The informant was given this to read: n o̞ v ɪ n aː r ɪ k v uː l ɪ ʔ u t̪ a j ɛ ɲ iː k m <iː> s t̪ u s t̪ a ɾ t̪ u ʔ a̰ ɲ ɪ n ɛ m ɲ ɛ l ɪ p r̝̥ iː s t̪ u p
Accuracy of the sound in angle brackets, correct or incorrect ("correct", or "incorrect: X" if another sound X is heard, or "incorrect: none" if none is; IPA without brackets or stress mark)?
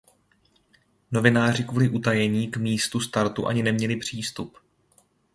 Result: correct